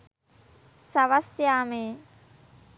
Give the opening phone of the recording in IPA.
s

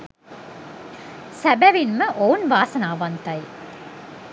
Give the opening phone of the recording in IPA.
s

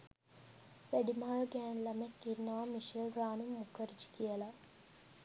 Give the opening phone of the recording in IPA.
ʋ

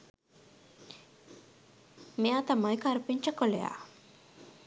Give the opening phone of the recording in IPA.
m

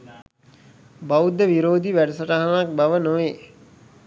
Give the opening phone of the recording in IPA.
b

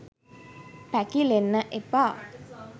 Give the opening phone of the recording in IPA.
p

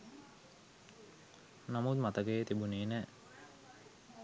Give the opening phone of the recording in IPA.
n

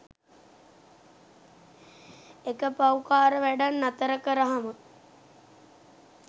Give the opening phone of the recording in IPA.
e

